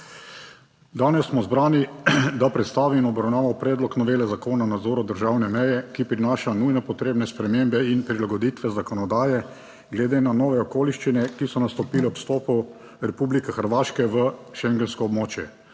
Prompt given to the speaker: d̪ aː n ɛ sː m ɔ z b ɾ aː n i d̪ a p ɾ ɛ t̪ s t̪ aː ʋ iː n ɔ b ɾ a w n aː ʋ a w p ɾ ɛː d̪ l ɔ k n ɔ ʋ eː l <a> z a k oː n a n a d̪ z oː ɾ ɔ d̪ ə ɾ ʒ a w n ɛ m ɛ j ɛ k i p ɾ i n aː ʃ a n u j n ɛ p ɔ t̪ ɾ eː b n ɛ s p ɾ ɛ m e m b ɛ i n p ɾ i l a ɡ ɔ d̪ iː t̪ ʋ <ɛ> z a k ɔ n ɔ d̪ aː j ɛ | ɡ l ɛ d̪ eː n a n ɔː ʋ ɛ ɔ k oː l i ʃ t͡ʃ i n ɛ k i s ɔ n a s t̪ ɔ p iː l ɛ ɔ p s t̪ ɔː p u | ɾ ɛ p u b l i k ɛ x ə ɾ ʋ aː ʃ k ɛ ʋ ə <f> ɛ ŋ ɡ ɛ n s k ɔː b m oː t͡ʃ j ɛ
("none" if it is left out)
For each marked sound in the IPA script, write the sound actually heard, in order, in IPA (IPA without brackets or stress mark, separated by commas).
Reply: ɛ, ɛ, ʃ